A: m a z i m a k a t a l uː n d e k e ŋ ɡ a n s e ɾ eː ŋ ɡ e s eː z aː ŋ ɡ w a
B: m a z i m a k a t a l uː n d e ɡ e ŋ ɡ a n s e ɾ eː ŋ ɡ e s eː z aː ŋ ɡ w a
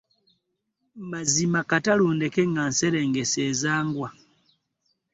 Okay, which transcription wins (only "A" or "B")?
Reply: A